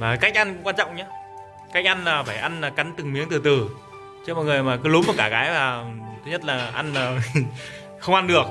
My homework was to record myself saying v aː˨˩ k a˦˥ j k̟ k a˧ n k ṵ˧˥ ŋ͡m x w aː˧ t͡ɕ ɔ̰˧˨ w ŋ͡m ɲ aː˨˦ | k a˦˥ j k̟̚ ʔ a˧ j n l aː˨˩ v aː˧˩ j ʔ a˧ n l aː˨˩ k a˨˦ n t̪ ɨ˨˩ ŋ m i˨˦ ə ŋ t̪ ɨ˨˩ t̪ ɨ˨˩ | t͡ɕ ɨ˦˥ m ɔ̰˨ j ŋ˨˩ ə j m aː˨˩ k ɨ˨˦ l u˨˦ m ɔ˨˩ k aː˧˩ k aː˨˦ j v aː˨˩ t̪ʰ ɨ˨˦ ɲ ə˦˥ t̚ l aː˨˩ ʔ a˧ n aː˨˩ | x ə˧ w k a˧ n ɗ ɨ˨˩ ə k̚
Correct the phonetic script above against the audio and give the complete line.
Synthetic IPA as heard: v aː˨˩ k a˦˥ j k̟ ʔ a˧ n k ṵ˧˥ ŋ͡m k w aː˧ t͡ɕ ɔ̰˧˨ w ŋ͡m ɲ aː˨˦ | k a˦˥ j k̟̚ ʔ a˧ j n l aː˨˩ f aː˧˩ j ʔ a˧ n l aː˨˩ k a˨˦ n t̪ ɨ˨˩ ŋ m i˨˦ ə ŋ t̪ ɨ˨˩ t̪ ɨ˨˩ | t͡ɕ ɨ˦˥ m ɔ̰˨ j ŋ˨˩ ə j m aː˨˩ k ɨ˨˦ l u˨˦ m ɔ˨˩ k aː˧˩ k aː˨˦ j v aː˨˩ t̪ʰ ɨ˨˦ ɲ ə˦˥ t̚ l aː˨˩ ʔ a˧ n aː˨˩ | x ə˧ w ʔ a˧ n ɗ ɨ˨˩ ə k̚